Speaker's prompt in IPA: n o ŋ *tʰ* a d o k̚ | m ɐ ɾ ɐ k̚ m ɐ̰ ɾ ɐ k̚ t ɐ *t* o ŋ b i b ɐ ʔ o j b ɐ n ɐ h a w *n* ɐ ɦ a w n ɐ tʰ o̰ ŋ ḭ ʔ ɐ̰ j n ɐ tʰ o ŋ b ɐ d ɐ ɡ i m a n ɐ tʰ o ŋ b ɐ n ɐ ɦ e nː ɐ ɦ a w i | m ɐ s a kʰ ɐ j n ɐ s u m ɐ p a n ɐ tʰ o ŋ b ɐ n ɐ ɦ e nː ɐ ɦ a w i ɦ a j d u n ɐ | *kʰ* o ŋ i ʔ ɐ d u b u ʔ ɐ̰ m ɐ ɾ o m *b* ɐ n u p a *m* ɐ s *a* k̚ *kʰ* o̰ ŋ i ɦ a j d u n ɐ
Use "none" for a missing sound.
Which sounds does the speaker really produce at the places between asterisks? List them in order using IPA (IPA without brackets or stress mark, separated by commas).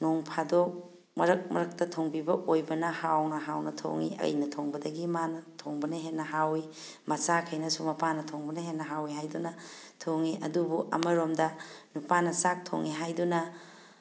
pʰ, tʰ, n, tʰ, d, n, a, tʰ